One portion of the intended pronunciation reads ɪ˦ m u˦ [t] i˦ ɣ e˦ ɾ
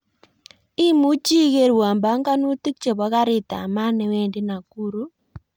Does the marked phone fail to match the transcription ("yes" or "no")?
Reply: yes